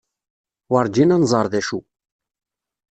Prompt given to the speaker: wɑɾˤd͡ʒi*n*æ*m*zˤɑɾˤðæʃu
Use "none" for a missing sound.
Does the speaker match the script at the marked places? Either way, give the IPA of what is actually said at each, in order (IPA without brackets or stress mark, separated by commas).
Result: n, n